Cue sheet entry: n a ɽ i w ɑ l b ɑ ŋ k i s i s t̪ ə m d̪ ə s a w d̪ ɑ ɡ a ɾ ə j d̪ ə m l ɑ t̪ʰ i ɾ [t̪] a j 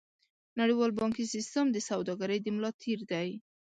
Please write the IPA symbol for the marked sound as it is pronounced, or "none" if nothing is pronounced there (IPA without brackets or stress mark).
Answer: d̪